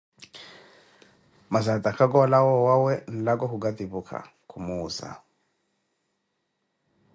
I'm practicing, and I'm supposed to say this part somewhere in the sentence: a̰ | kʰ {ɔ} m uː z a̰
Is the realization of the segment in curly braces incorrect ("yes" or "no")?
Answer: yes